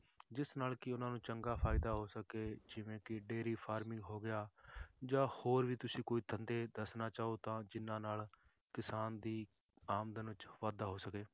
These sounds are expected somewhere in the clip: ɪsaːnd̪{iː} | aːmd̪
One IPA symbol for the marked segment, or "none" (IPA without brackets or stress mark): iː